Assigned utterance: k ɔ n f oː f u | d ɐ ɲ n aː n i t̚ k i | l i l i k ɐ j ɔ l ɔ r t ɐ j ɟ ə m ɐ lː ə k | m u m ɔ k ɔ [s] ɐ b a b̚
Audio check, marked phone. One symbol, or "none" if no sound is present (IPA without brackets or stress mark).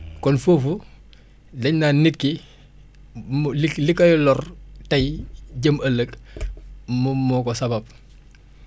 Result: s